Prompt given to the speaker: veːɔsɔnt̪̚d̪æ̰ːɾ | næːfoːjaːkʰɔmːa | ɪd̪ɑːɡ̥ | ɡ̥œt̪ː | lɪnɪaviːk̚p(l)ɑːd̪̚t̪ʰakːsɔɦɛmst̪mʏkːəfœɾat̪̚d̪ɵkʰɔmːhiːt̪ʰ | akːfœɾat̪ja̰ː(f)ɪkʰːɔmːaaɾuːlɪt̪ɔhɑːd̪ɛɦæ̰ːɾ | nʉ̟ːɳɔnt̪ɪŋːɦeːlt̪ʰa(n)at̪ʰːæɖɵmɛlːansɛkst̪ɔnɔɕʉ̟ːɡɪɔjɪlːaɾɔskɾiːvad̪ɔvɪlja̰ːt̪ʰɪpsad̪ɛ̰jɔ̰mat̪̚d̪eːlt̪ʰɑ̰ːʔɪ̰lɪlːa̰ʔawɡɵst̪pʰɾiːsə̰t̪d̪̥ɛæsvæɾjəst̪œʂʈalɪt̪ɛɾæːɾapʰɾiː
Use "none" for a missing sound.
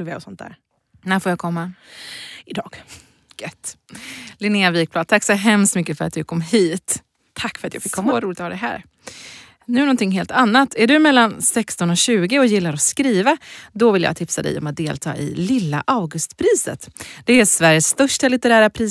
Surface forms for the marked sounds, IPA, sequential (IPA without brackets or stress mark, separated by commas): l, f, nː